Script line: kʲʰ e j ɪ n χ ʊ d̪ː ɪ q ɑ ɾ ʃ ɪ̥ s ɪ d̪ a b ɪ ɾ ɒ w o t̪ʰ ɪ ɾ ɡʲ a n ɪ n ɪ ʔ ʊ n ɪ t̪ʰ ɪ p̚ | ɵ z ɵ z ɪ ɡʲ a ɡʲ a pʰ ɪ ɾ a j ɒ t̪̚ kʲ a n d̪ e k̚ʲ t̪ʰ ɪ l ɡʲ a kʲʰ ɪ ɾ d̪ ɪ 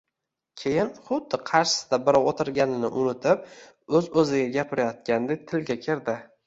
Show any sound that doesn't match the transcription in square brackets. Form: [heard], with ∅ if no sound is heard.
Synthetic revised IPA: kʲʰ e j ɪ n χ ʊ d̪ː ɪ [qʰ] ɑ ɾ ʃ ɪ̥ s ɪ d̪ a b ɪ ɾ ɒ w o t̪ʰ ɪ ɾ ɡʲ a n ɪ n ɪ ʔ ʊ n ɪ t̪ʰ ɪ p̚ | ɵ z ɵ z ɪ ɡʲ a ɡʲ a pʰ ɪ ɾ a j ɒ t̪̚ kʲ a n d̪ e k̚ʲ t̪ʰ ɪ l ɡʲ a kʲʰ ɪ ɾ d̪ ɪ